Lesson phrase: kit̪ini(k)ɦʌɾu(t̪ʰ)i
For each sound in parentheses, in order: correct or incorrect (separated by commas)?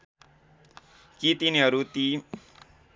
incorrect, incorrect